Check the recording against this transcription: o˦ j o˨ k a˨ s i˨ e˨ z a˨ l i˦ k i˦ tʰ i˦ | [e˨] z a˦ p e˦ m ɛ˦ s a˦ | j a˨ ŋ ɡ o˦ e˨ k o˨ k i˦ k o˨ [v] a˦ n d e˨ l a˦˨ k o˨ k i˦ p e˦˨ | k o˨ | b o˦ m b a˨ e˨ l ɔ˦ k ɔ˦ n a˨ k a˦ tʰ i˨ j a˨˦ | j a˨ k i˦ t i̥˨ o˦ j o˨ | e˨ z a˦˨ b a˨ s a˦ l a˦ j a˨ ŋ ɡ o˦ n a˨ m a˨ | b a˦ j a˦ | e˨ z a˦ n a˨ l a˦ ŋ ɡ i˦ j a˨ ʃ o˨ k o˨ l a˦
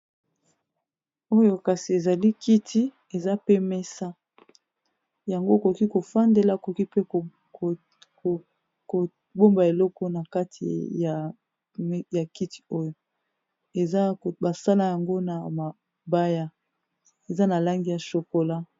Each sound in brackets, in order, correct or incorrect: correct, incorrect

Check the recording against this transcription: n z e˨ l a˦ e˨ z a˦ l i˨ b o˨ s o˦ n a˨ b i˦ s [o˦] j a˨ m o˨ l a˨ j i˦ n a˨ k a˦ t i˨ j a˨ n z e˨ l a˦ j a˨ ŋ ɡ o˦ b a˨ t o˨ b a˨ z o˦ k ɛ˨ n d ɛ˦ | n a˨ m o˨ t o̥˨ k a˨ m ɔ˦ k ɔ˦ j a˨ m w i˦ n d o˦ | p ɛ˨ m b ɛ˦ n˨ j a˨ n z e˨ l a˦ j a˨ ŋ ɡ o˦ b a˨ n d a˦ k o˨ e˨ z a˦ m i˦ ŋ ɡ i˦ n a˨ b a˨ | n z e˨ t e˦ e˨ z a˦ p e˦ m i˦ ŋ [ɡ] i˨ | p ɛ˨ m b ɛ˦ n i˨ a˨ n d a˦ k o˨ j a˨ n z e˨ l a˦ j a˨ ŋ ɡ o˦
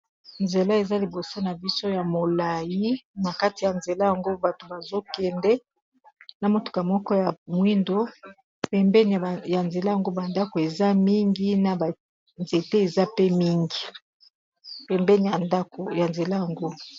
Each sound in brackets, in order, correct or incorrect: correct, correct

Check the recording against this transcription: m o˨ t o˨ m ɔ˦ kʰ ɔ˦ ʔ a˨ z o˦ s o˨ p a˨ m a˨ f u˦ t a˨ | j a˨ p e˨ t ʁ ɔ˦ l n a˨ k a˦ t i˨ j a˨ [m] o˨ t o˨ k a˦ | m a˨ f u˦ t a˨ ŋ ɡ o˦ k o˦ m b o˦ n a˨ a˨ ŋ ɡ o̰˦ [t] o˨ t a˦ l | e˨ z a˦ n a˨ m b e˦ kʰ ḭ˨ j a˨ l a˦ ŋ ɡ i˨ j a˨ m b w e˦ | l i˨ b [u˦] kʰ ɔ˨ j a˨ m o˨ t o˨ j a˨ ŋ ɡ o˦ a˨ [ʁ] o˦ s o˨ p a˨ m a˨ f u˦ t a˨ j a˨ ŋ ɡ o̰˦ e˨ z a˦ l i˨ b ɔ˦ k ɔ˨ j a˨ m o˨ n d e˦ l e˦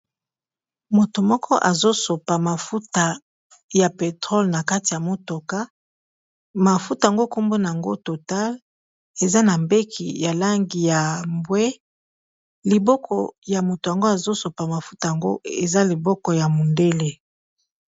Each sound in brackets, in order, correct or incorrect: correct, correct, incorrect, incorrect

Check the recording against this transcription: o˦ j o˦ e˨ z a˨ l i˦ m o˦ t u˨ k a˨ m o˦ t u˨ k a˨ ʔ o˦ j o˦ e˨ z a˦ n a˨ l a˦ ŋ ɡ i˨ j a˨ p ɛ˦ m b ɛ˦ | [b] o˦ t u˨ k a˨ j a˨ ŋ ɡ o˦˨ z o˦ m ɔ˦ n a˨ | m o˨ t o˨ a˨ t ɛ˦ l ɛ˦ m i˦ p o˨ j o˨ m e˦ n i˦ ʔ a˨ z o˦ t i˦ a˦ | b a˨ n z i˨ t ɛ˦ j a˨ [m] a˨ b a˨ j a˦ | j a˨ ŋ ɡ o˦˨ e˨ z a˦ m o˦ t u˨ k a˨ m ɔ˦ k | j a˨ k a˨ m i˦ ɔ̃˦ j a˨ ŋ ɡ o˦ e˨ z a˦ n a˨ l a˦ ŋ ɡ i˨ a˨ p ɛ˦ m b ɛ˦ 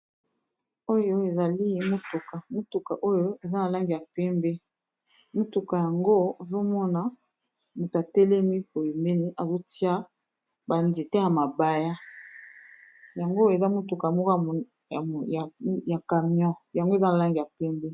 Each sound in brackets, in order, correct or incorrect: incorrect, correct

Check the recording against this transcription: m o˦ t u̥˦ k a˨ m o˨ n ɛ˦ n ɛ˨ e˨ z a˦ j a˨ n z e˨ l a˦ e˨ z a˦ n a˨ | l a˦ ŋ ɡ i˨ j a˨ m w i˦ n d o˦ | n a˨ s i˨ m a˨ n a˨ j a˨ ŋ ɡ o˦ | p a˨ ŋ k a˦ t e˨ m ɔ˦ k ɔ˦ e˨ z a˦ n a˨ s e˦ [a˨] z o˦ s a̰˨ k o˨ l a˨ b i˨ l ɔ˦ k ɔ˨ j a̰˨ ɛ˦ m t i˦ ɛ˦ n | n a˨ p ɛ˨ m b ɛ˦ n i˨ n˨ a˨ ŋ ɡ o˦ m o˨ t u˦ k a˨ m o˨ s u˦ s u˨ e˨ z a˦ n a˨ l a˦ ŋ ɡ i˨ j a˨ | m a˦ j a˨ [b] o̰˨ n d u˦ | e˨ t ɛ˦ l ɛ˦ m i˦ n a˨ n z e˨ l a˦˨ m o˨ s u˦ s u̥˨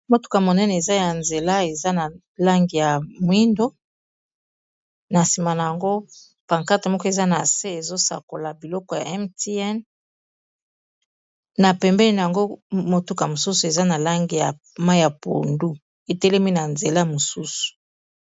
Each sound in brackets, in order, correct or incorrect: incorrect, incorrect

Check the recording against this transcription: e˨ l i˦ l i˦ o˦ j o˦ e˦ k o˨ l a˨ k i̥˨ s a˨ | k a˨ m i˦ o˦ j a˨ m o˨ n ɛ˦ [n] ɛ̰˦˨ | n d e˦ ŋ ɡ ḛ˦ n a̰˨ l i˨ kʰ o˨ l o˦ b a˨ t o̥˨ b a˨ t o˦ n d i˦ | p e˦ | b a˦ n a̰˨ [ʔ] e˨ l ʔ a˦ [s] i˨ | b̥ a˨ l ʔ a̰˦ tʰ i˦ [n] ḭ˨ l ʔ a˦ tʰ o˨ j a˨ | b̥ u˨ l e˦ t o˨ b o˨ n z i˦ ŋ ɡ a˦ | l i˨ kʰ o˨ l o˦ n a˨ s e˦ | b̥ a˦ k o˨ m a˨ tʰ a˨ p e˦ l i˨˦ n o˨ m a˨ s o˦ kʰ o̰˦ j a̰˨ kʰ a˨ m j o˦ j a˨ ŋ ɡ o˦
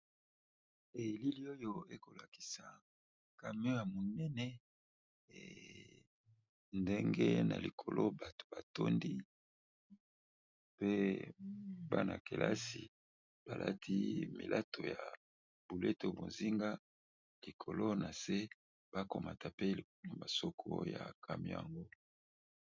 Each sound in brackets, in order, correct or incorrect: correct, incorrect, correct, incorrect

